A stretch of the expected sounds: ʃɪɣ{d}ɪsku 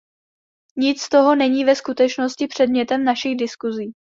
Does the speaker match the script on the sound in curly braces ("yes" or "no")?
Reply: yes